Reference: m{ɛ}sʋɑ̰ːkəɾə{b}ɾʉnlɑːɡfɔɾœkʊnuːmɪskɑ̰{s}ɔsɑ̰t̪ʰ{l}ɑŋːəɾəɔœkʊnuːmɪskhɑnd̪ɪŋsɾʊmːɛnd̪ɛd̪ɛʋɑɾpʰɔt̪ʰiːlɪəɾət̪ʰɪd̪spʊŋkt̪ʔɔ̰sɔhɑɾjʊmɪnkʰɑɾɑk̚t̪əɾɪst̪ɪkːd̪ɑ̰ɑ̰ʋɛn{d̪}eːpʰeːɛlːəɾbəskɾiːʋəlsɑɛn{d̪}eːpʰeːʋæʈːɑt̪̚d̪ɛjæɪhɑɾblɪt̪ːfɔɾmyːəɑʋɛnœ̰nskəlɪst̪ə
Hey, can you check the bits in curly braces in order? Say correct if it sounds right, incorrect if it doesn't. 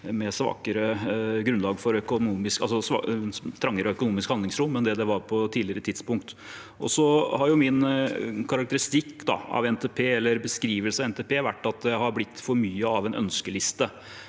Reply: correct, incorrect, correct, incorrect, incorrect, incorrect

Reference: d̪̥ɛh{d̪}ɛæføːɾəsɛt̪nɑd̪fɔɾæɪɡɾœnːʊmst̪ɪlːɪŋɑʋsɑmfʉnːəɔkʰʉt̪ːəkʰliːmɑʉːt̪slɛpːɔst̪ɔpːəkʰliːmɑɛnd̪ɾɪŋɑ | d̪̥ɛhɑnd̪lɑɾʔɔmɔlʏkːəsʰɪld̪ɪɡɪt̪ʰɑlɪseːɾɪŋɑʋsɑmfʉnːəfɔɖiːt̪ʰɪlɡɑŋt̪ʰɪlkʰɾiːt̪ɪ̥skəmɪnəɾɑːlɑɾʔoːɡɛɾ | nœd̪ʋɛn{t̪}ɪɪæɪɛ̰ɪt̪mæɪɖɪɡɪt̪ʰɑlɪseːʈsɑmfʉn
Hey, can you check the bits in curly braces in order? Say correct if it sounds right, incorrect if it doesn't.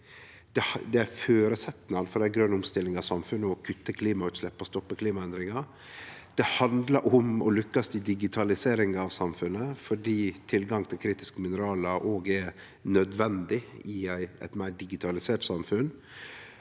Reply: correct, incorrect

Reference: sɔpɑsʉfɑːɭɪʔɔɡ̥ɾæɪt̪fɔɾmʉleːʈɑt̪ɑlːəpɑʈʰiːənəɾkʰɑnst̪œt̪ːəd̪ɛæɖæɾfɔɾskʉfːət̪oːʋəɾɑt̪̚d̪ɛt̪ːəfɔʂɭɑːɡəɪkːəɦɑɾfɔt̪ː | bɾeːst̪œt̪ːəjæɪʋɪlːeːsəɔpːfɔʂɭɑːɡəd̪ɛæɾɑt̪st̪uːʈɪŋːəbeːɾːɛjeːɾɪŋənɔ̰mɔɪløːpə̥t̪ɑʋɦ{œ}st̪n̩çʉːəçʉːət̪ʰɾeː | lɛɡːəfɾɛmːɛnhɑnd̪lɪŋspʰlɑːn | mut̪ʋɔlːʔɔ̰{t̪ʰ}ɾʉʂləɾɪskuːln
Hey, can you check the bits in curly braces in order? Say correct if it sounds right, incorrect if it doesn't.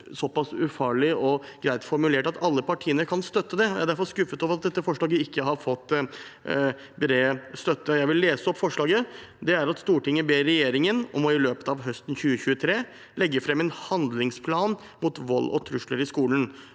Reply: correct, correct

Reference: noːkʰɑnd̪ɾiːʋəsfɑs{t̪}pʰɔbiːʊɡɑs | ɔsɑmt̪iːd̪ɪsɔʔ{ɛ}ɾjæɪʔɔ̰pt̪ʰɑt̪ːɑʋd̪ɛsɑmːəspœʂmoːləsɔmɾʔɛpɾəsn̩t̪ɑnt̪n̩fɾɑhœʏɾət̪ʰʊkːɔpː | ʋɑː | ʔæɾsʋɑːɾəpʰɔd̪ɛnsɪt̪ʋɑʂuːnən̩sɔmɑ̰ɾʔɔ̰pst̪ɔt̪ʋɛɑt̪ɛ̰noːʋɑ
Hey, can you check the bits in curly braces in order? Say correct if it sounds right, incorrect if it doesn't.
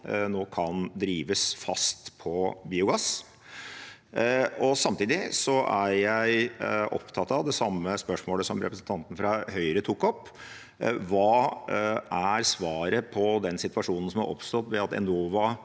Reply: correct, incorrect

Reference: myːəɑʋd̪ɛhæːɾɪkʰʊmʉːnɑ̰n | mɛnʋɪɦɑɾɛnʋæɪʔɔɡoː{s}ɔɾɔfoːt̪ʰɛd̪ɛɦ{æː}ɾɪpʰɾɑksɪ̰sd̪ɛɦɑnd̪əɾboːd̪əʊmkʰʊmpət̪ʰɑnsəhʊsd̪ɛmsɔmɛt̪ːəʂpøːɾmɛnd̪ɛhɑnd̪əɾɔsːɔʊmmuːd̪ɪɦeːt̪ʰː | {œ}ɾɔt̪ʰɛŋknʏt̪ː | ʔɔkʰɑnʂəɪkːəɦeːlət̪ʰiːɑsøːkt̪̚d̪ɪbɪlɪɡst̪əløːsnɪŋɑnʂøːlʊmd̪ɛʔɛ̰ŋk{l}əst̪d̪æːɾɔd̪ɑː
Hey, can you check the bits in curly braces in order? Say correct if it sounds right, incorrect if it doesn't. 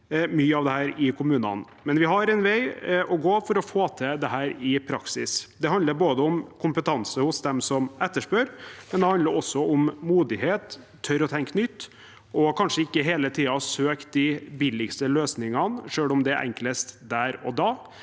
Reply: incorrect, correct, correct, correct

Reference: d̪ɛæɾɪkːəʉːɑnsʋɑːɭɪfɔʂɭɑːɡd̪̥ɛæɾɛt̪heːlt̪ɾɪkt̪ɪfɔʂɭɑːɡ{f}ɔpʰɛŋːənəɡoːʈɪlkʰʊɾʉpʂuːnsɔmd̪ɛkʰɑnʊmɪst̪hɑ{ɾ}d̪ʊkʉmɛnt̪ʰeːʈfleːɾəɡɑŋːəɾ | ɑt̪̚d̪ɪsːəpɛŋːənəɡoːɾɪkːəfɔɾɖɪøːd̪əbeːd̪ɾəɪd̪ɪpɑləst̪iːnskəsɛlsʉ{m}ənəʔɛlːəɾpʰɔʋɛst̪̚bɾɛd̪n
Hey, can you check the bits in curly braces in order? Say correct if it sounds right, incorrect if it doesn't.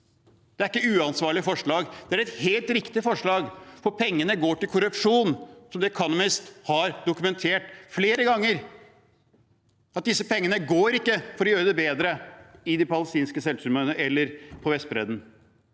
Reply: correct, correct, correct

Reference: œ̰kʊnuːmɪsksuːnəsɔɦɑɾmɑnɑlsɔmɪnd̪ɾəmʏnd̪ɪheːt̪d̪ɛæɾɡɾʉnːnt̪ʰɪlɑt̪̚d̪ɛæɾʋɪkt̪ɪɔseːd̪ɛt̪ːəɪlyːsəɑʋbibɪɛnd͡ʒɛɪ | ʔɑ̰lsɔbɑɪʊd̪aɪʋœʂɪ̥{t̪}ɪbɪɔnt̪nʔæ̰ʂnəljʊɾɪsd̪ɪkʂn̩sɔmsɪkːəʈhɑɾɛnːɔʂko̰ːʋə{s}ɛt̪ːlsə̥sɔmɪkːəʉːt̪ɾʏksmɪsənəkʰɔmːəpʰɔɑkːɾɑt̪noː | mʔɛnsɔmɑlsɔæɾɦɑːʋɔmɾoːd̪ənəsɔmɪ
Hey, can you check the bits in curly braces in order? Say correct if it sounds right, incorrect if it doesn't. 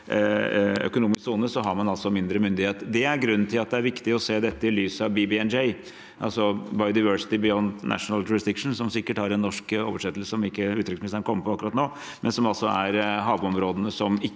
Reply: correct, incorrect

